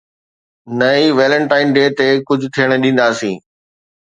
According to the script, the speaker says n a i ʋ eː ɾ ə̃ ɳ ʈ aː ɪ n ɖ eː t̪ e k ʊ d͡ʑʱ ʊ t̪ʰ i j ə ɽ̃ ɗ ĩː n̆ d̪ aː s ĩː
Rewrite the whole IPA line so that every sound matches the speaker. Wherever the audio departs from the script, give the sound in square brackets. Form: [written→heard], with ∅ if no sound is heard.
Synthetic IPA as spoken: n [a→ɐ] i ʋ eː [ɾ→l] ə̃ ɳ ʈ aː ɪ n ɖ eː t̪ e k ʊ d͡ʑʱ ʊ t̪ʰ i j ə ɽ̃ ɗ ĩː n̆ d̪ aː s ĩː